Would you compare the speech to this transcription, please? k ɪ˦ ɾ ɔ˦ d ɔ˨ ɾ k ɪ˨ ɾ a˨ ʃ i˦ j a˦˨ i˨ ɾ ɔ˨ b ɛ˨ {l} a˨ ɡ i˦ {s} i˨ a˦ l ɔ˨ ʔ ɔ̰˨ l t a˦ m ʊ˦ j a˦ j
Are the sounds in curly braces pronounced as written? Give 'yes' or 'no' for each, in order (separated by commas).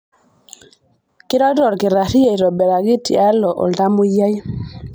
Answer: no, no